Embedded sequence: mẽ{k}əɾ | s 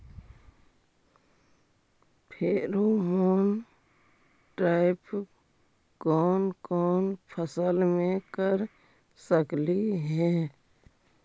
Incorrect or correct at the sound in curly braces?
correct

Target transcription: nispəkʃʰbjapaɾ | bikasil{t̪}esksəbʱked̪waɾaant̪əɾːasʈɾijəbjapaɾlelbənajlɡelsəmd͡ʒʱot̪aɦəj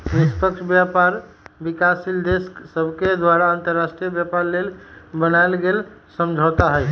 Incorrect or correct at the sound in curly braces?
incorrect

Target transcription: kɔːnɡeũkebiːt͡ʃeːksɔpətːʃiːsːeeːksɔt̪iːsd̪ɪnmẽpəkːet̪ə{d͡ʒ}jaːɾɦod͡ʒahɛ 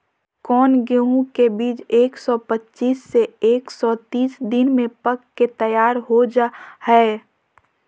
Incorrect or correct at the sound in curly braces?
incorrect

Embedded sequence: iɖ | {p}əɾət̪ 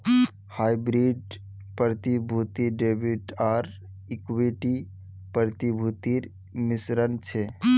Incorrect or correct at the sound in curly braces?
correct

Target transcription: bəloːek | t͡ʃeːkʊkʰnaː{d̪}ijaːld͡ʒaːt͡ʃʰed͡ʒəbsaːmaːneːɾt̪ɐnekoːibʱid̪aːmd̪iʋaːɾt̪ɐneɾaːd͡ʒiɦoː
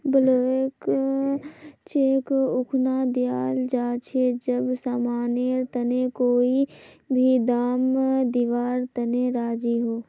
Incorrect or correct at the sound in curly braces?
correct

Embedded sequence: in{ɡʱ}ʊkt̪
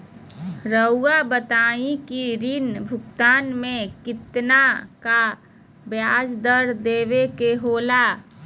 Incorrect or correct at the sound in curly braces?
incorrect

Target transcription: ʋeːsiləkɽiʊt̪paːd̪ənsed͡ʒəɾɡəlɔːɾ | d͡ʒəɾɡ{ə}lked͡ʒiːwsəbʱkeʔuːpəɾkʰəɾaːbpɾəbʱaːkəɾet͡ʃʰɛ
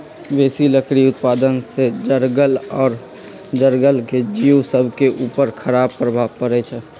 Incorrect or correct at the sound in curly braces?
correct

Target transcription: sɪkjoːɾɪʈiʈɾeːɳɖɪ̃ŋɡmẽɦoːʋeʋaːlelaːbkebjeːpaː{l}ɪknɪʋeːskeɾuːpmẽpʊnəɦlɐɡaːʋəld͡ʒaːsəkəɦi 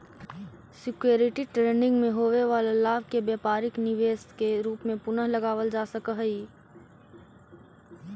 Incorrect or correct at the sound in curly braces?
incorrect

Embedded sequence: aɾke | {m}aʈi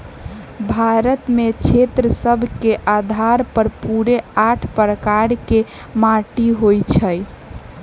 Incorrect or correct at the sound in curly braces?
correct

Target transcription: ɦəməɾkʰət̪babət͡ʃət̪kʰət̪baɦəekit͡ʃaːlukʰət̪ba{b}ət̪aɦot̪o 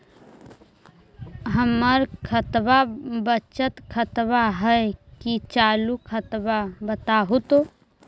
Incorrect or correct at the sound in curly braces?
correct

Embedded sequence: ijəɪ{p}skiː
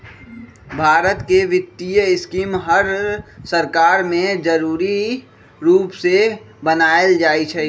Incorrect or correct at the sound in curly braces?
incorrect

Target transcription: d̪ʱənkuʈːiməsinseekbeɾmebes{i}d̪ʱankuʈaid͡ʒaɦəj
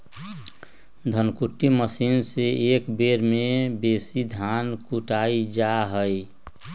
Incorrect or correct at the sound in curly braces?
correct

